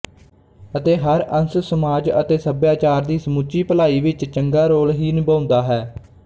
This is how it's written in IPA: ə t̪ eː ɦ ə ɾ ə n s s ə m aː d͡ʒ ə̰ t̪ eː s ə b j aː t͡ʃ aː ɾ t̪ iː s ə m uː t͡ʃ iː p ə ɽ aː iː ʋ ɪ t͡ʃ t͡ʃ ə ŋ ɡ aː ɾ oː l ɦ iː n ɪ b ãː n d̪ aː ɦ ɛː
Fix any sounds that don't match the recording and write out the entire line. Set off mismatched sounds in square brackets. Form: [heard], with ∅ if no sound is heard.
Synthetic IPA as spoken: ə t̪ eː ɦ ə ɾ ə n s s ə m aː d͡ʒ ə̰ t̪ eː s ə b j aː t͡ʃ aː ɾ [d̪] iː s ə m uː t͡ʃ iː p ə [l] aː iː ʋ ɪ t͡ʃ t͡ʃ ə ŋ ɡ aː ɾ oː l ɦ iː n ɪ b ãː n d̪ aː ɦ ɛː